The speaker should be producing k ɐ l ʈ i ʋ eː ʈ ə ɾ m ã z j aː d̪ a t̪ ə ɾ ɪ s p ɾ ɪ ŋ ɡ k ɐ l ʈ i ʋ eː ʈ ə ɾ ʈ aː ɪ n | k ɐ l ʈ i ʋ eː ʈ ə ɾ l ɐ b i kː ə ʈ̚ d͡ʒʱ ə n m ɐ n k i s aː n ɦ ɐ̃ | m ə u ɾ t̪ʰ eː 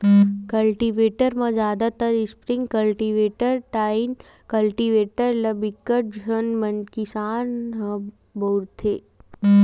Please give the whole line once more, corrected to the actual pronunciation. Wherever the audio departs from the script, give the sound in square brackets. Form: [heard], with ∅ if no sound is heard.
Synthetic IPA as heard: k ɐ l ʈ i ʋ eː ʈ ə ɾ m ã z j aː d̪ a t̪ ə ɾ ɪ s p ɾ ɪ ŋ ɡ k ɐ l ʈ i ʋ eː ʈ ə ɾ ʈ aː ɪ n | k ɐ l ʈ i ʋ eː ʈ ə ɾ l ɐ b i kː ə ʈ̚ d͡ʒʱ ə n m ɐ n k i s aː n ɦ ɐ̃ | [b] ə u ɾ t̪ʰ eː